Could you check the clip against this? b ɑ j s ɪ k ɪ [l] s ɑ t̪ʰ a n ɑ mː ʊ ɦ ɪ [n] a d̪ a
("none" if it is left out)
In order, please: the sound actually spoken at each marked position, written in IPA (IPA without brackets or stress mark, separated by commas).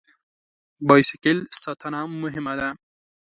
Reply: l, m